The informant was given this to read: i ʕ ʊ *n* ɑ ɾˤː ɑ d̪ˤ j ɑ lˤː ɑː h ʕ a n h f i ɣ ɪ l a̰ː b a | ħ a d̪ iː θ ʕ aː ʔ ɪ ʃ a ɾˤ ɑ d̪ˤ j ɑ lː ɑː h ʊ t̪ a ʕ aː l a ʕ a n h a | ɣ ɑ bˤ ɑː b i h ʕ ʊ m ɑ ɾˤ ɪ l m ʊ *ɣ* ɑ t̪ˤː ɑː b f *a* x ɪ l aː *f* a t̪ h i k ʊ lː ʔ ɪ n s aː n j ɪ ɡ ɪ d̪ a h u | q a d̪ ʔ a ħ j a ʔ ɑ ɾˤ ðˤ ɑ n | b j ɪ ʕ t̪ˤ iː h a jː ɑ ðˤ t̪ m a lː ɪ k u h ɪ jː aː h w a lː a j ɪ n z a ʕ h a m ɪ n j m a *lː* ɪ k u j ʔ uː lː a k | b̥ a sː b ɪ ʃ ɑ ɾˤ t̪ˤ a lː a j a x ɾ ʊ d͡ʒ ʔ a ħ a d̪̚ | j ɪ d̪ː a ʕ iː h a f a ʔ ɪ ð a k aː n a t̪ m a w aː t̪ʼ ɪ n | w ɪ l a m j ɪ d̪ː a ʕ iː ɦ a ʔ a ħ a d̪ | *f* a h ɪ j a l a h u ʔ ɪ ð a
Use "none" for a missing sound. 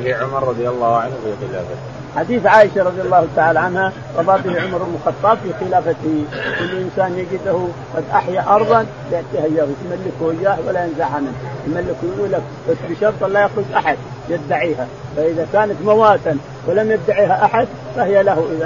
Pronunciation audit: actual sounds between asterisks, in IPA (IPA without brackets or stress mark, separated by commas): m, x, i, f, lː, f